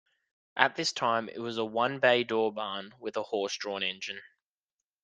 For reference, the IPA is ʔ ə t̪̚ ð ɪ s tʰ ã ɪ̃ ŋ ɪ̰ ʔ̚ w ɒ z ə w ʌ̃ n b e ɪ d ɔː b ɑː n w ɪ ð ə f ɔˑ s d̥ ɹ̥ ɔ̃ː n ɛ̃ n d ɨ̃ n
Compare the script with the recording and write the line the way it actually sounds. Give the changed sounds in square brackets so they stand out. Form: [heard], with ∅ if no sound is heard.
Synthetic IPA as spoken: ʔ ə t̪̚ ð ɪ s tʰ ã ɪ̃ [m] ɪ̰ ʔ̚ w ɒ z ə w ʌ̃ n b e ɪ d ɔː b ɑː n w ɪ ð ə [h] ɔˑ s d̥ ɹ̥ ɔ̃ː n ɛ̃ n [d͡ʒ] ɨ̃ n